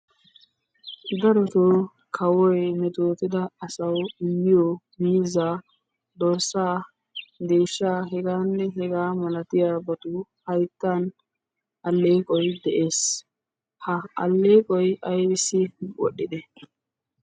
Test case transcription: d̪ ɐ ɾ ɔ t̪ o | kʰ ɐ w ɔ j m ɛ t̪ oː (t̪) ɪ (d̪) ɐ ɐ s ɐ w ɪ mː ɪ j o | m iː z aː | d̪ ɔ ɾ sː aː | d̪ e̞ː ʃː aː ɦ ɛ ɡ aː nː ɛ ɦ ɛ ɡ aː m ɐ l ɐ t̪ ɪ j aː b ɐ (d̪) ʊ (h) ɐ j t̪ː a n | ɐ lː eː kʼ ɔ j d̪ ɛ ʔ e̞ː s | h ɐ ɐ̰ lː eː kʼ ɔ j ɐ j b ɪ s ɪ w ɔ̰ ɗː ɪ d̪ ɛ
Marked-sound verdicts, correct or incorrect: correct, correct, incorrect: t̪, correct

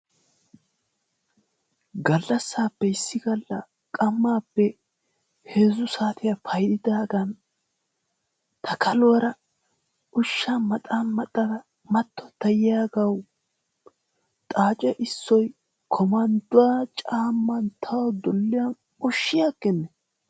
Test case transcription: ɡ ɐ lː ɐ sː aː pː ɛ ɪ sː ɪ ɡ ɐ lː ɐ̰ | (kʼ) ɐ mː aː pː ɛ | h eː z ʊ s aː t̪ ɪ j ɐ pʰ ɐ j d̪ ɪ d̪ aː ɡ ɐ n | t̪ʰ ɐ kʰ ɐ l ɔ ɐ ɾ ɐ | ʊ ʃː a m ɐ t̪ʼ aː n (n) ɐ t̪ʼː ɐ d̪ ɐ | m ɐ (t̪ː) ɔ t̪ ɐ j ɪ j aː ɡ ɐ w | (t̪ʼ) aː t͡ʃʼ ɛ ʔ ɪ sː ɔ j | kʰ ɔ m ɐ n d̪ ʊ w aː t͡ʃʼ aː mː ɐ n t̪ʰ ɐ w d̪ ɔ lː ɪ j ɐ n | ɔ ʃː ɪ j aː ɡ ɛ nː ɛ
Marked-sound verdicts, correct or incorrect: correct, incorrect: m, correct, correct

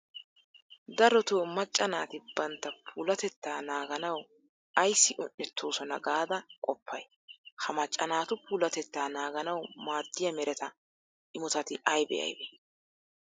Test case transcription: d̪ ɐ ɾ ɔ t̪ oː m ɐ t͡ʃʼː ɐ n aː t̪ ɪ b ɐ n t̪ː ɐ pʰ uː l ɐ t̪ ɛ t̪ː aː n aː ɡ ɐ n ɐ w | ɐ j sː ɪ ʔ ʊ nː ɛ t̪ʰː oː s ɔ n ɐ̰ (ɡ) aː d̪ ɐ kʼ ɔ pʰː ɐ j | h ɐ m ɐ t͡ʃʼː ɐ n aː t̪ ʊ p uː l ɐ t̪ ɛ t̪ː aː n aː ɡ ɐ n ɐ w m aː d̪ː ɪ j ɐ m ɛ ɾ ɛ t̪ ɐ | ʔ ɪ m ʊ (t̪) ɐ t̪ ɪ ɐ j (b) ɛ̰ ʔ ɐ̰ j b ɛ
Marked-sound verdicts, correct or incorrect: correct, correct, correct

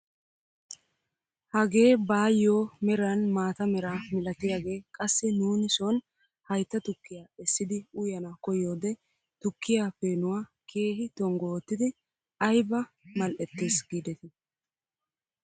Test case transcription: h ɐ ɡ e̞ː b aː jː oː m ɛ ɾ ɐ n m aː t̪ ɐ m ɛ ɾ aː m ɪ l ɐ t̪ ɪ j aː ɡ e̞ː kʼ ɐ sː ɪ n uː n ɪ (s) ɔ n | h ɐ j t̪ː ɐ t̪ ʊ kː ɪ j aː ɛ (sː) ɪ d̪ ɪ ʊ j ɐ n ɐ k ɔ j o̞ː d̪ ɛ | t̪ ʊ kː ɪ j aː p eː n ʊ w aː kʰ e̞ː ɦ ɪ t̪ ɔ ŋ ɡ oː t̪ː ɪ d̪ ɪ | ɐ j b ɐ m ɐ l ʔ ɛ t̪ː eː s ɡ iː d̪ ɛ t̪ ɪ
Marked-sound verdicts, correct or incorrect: correct, correct

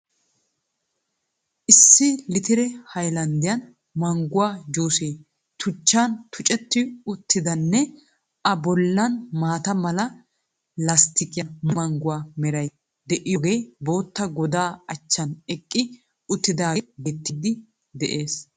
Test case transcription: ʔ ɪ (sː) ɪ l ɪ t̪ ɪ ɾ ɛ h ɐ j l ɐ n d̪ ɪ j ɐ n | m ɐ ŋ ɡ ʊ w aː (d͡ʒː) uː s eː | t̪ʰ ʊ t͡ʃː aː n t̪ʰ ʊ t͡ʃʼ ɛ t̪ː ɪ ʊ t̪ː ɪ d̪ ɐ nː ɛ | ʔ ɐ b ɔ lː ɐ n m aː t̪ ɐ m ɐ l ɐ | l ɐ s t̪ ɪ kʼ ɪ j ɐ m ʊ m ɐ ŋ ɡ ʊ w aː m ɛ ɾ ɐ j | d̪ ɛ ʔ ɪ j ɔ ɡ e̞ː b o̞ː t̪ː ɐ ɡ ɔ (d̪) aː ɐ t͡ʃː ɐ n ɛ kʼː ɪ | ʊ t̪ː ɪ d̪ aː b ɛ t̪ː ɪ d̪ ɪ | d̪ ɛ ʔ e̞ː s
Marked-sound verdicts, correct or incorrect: correct, incorrect: d͡ʒ, correct

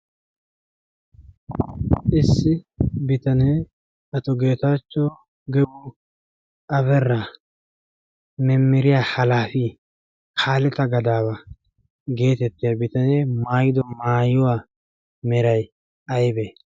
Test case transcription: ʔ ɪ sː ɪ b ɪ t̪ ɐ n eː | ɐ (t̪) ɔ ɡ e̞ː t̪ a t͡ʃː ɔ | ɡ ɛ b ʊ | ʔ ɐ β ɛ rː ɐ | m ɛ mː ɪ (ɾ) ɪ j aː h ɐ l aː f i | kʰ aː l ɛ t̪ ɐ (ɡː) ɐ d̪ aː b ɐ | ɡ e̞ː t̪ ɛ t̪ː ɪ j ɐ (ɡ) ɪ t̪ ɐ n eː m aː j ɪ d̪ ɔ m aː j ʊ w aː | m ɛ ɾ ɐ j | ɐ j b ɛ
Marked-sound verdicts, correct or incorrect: correct, correct, incorrect: ɡ, incorrect: b

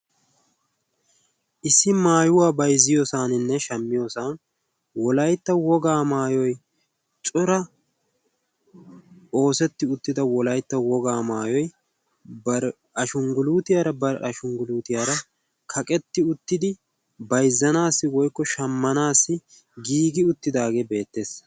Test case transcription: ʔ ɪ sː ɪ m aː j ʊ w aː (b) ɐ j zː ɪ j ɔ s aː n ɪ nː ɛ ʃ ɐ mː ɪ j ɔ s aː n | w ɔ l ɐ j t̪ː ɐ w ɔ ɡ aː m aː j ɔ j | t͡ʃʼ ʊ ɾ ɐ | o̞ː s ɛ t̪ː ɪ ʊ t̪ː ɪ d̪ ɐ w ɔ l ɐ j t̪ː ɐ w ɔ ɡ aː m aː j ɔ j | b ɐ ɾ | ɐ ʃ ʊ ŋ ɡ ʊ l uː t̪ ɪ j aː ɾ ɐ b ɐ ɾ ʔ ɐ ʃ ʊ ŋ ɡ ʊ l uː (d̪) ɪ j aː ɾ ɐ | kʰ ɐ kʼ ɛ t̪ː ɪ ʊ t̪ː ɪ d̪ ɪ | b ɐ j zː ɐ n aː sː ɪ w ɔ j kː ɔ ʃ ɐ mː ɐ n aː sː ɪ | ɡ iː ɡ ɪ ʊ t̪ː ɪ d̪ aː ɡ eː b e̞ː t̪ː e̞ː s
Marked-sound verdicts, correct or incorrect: correct, incorrect: t̪

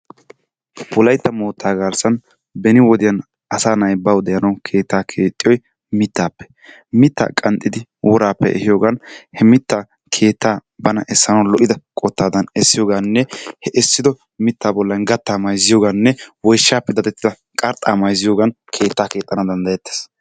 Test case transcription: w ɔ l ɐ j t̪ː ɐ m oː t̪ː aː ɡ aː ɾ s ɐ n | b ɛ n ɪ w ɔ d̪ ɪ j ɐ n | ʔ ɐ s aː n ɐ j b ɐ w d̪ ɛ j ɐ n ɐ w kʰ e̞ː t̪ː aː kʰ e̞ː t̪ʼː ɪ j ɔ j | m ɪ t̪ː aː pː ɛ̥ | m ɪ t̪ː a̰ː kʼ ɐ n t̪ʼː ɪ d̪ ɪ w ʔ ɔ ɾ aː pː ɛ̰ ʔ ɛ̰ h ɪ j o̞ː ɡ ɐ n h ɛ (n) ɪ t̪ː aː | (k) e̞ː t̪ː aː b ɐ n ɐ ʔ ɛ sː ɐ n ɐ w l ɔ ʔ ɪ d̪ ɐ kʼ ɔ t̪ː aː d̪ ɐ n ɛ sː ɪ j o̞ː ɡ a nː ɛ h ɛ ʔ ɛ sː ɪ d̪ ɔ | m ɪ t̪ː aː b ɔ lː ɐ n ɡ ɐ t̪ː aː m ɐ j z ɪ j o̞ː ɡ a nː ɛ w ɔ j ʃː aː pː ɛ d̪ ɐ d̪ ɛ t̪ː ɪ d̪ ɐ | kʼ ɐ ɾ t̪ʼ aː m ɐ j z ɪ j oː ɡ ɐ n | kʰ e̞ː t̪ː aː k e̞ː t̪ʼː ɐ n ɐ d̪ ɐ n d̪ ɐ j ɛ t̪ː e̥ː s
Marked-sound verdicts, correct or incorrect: incorrect: m, incorrect: kʰ

